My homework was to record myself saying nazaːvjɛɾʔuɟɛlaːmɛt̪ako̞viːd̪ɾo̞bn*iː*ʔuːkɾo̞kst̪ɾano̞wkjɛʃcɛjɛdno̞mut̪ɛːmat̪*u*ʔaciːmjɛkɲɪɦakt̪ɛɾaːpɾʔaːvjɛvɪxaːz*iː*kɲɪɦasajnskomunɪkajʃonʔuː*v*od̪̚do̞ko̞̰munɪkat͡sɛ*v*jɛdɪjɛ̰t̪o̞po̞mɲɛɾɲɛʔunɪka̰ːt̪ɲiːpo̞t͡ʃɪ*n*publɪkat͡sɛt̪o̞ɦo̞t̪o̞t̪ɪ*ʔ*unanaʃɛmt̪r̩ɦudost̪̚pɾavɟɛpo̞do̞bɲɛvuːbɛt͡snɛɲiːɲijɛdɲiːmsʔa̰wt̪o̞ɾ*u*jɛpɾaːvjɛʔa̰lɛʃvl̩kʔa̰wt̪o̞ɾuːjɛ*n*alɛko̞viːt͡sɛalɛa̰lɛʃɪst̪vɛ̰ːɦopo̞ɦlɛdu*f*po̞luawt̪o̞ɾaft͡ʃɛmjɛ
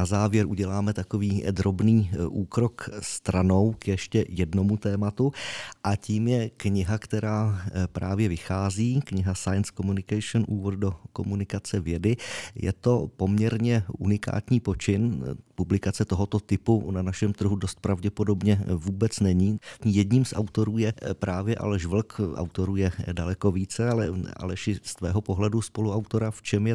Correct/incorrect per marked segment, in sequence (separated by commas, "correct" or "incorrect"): correct, correct, correct, correct, correct, correct, incorrect, incorrect, incorrect, incorrect